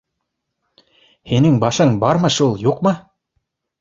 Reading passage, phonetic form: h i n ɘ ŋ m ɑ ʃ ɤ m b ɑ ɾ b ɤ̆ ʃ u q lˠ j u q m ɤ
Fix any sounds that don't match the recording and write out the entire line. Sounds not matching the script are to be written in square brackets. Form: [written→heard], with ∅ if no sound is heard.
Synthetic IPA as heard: h i n ɘ ŋ [m→b] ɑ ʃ ɤ [m→ɴ] b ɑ ɾ [b→m] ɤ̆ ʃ u [q→∅] lˠ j u q m ɤ